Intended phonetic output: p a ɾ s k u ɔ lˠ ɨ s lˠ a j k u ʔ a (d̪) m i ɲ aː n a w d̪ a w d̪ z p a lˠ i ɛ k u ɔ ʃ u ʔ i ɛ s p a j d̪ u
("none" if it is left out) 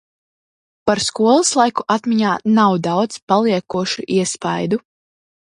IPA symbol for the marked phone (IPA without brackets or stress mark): t̪